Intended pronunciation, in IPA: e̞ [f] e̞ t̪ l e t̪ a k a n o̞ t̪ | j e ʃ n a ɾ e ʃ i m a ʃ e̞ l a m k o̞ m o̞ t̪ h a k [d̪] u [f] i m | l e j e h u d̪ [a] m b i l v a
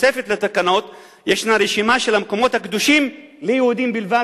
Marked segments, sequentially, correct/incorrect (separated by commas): correct, correct, incorrect, incorrect